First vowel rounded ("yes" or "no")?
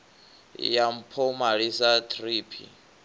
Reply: no